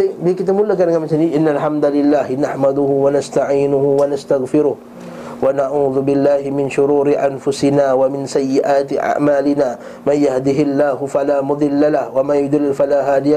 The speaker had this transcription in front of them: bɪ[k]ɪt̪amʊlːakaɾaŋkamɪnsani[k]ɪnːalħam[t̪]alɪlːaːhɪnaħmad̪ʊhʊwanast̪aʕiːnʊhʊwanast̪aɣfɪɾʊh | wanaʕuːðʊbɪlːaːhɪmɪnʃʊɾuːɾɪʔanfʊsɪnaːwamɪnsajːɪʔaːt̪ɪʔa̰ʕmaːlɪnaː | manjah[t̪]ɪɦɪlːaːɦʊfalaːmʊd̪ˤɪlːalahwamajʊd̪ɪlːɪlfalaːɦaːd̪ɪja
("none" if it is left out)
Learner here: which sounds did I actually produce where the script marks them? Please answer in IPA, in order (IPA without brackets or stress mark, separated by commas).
k, ʔ, d̪, d̪